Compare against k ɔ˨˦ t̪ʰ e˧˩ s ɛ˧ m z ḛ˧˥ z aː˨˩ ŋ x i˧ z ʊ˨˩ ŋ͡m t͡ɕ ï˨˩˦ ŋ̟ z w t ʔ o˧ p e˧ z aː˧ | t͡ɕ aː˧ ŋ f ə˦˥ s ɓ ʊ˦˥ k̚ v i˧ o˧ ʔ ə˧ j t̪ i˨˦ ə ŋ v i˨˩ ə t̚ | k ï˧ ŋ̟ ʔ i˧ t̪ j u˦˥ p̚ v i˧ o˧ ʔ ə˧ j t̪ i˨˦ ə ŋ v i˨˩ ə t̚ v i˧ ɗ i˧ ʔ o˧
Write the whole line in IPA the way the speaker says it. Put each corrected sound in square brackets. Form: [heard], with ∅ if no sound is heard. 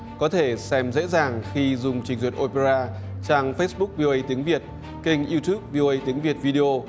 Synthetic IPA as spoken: k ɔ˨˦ t̪ʰ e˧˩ s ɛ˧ m z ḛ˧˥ z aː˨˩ ŋ x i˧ z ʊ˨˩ ŋ͡m t͡ɕ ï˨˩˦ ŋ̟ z w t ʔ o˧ p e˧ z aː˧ | t͡ɕ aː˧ ŋ f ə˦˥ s ɓ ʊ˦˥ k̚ v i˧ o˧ ʔ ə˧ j t̪ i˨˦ ə ŋ v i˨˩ ə t̚ | k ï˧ ŋ̟ ʔ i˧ t̪ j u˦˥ p̚ v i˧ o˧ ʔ ə˧ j t̪ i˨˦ ə ŋ v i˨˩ ə t̚ v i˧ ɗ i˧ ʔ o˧